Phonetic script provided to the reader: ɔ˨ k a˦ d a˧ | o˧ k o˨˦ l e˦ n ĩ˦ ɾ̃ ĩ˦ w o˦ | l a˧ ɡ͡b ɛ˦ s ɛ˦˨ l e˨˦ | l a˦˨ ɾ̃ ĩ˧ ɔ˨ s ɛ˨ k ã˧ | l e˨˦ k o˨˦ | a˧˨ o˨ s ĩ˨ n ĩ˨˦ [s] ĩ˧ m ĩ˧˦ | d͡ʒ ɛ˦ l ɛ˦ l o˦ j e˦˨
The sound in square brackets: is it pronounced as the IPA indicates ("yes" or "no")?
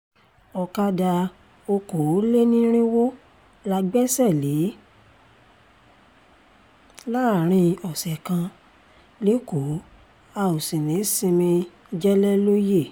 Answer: yes